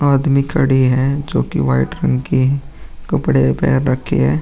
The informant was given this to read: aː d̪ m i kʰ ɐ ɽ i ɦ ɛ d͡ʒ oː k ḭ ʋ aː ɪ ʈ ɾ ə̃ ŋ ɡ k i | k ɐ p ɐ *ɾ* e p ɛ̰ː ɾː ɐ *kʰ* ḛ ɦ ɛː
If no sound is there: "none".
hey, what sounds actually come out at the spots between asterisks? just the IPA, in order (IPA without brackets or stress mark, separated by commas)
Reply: ɽ, kʰ